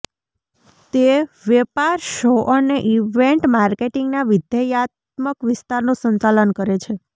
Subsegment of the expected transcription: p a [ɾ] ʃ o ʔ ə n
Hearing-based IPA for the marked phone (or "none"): ɾ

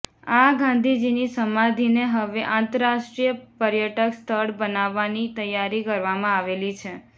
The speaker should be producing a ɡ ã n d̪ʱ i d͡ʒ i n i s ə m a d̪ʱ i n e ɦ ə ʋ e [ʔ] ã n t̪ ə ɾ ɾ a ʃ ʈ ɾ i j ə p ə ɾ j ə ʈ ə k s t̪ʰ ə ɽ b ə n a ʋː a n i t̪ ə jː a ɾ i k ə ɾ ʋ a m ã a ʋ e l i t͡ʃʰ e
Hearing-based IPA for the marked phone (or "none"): ʔ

